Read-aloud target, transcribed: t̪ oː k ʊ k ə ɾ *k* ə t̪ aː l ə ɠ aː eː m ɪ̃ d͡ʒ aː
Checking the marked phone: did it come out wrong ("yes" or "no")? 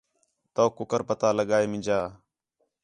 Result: yes